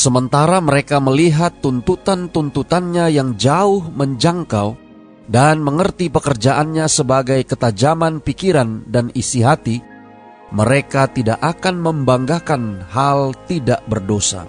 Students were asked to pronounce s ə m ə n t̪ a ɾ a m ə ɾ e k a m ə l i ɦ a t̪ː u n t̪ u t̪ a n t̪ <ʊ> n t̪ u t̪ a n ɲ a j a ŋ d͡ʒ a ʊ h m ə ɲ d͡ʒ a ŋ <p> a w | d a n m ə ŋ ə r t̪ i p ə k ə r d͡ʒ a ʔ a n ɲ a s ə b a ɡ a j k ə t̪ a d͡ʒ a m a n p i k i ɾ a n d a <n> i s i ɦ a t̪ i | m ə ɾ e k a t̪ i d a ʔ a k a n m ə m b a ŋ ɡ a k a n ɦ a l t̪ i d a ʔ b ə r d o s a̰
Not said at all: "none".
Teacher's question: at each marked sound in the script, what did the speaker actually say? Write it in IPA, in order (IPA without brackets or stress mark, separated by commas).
u, k, n